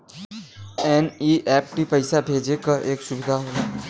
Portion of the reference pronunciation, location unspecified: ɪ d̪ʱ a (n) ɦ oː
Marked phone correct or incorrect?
incorrect